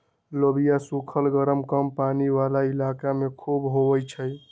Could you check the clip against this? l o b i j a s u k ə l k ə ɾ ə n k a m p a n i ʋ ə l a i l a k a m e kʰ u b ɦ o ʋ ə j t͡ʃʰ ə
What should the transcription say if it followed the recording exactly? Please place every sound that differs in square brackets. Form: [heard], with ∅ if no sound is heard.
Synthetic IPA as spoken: l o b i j a s u [kʰ] ə l [ɡ] ə ɾ ə [m] k [ə] m p a n i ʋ [a] l a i l a k a m e kʰ u b ɦ o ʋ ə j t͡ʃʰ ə